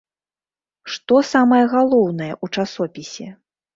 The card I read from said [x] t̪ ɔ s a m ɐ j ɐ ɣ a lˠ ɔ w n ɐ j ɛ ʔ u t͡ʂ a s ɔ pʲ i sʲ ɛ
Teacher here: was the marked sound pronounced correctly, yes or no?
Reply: no